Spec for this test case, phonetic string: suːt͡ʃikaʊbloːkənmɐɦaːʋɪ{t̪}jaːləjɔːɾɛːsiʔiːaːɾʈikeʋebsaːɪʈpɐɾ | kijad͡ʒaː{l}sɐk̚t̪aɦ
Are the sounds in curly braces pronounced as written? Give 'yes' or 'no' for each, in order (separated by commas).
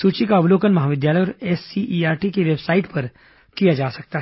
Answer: no, no